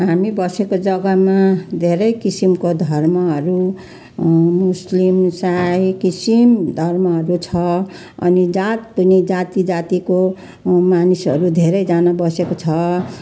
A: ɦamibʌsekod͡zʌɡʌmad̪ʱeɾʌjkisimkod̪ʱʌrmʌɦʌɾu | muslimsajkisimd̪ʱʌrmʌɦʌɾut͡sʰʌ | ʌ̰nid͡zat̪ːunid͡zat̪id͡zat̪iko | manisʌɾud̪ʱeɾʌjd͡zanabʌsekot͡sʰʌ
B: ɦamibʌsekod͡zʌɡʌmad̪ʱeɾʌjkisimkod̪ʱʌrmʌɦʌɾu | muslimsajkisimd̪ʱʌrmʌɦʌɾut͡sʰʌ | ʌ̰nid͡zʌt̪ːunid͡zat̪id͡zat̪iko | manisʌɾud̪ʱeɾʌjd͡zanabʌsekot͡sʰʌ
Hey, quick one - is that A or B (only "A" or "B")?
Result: A